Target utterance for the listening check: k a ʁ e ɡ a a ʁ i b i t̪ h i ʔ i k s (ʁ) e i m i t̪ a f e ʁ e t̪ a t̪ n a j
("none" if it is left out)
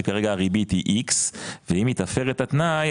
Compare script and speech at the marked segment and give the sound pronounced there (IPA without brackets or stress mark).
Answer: v